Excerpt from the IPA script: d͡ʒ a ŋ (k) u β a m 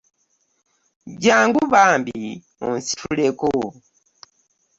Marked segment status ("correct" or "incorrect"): incorrect